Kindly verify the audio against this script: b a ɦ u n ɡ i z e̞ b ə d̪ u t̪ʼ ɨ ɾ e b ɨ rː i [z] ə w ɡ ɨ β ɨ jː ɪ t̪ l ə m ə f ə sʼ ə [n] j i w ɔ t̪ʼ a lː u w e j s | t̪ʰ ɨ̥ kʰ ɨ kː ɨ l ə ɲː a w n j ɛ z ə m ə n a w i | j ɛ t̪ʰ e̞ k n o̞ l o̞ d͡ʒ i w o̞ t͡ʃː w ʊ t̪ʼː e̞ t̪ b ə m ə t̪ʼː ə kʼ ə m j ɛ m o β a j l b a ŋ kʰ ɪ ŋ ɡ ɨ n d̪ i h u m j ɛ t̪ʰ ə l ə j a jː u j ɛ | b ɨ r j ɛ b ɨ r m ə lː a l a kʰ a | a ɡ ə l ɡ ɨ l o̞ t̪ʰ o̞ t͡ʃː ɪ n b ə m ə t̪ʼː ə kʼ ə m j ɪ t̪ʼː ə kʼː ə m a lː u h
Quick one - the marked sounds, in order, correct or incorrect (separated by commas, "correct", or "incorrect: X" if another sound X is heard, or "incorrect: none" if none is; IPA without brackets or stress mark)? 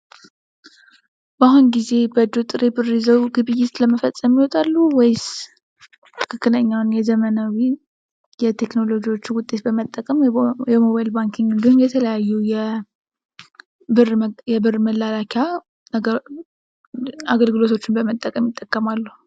correct, incorrect: m